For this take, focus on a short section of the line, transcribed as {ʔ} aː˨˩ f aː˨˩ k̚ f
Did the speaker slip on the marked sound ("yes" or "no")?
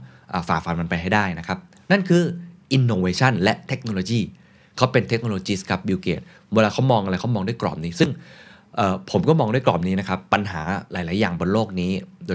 no